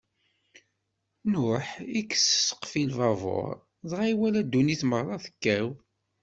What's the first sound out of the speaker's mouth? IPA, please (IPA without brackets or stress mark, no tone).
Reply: n